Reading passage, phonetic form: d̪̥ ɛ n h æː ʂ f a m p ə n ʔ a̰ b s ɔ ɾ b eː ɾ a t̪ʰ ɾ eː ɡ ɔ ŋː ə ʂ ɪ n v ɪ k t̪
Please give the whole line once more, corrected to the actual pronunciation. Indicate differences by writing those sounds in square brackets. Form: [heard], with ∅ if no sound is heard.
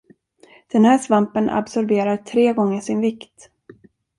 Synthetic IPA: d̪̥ ɛ n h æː ʂ [v] a m p ə n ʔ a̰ b s ɔ ɾ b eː ɾ a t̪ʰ ɾ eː ɡ ɔ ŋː ə ʂ ɪ n v ɪ k t̪